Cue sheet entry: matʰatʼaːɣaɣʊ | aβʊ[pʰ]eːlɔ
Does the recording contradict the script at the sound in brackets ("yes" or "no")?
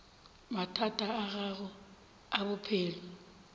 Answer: no